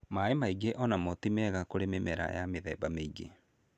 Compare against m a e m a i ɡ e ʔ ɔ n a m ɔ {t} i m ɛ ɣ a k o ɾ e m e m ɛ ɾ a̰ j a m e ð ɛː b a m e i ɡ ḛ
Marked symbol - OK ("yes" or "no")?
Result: yes